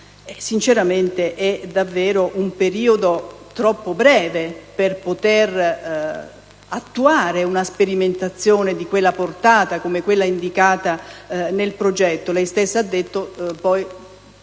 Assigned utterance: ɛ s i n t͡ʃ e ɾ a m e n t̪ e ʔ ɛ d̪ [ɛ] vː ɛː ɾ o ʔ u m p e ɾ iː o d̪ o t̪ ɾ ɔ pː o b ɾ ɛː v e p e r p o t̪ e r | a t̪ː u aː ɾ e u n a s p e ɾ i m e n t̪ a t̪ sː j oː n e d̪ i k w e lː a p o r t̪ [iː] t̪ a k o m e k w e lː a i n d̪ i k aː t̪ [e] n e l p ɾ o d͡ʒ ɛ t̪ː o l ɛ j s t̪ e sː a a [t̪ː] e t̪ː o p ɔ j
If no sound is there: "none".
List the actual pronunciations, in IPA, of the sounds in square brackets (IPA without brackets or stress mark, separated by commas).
a, aː, a, d̪ː